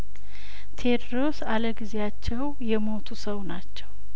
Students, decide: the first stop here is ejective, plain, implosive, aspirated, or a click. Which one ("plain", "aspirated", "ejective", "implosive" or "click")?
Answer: aspirated